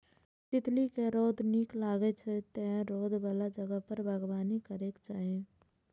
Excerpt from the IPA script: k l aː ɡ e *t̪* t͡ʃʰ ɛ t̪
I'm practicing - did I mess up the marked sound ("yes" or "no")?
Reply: yes